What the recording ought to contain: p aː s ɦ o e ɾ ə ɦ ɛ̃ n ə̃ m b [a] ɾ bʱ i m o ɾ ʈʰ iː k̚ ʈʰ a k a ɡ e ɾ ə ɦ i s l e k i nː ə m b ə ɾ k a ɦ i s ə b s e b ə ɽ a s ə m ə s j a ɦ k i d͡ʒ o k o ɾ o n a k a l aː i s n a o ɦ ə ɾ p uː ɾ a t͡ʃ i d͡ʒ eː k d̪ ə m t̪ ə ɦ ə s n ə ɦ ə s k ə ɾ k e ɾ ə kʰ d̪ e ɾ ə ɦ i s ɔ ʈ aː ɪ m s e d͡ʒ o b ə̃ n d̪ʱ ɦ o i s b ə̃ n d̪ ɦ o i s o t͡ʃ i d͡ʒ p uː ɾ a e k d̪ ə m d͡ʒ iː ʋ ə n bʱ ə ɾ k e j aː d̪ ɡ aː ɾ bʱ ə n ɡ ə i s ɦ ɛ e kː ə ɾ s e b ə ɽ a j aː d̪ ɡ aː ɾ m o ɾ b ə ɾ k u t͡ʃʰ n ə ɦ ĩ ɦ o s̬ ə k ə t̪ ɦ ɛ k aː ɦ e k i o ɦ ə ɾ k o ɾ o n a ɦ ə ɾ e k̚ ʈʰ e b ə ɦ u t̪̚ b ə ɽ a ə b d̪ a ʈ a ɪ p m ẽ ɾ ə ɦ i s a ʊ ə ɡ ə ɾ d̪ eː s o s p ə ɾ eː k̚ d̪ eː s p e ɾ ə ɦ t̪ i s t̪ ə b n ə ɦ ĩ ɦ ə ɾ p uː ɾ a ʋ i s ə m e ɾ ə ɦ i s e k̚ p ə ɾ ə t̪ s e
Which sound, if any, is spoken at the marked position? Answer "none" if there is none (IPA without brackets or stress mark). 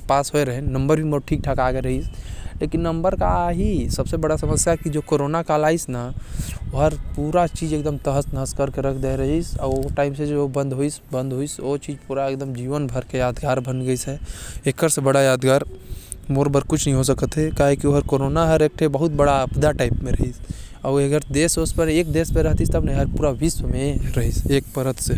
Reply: ə